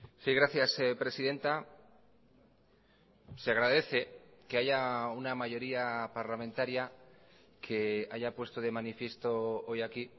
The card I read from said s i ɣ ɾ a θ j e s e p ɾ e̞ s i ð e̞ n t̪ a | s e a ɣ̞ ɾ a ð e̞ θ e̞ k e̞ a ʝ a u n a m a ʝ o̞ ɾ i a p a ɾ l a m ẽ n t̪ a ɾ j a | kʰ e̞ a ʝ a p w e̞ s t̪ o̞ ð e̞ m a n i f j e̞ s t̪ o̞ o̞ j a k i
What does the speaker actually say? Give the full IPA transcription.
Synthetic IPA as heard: s i ɣ ɾ a θ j a s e p ɾ e̞ s i ð e̞ n t̪ a | s e a ɣ̞ ɾ a ð e̞ θ e̞ k e̞ a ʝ a u n a m a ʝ o̞ ɾ i a p a ɾ l a m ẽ n t̪ a ɾ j a | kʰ e̞ a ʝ a p w e̞ s t̪ o̞ ð e̞ m a n i f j e̞ s t̪ o̞ o̞ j a k i